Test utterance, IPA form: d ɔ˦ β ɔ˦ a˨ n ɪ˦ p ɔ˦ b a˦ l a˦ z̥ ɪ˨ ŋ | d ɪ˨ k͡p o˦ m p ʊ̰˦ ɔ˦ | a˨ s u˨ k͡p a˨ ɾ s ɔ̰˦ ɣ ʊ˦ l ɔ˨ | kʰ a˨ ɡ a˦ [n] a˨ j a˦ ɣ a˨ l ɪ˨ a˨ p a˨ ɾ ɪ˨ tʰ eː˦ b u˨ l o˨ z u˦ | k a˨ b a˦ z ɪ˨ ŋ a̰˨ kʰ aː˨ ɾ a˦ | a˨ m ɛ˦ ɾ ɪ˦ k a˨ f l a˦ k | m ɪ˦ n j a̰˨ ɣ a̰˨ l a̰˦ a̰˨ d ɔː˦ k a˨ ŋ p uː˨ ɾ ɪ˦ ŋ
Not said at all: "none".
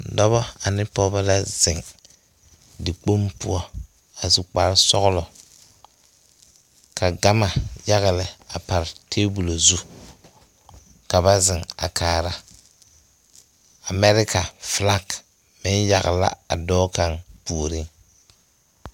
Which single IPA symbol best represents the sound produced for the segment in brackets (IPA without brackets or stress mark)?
m